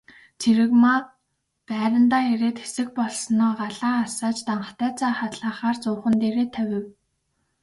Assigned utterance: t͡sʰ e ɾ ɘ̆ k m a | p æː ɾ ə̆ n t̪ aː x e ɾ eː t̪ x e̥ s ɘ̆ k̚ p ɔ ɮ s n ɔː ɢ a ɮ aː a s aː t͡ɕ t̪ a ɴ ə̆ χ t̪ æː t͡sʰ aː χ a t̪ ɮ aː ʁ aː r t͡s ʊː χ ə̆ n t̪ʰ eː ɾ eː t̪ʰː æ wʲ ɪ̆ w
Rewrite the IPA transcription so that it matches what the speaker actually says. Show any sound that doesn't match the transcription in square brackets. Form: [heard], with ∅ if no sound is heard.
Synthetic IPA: t͡sʰ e ɾ ɘ̆ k m a | p æː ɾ ə̆ n t̪ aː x e ɾ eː t̪ x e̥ s ɘ̆ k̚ p ɔ ɮ s n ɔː ɢ a ɮ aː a s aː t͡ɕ t̪ a ɴ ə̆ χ t̪ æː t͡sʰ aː χ a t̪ ɮ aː [χ] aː r t͡s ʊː χ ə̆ n [t̪] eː ɾ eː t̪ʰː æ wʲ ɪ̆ w